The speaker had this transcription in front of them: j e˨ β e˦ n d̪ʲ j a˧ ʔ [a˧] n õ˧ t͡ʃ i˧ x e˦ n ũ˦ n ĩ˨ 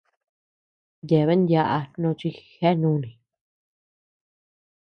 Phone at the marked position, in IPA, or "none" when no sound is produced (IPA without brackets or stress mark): a˧